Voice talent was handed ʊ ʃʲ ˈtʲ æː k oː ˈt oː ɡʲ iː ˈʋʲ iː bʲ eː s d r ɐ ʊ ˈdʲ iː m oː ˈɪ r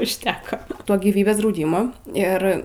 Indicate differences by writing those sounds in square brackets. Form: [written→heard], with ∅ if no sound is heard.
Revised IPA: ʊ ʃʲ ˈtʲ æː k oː ˈt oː ɡʲ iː ˈʋʲ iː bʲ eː s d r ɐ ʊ ˈdʲ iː m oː ˈɪ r